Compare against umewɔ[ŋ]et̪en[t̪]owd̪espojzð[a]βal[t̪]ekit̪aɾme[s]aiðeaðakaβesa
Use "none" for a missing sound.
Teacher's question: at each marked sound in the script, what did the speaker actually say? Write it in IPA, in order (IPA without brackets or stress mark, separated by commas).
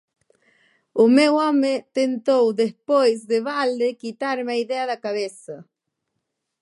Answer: m, t̪, e, d̪, none